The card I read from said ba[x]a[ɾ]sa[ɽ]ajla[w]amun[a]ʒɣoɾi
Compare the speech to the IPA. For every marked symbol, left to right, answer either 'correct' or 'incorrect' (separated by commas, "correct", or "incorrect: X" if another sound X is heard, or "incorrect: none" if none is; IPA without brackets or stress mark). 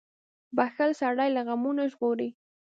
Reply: correct, incorrect: l, correct, incorrect: ɣ, correct